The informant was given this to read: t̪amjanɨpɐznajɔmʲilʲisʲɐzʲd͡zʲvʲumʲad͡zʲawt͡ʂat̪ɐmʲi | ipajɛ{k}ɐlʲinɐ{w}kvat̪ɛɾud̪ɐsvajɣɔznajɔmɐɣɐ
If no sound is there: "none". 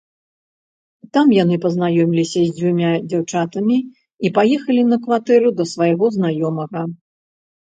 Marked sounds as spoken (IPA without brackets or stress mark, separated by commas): x, none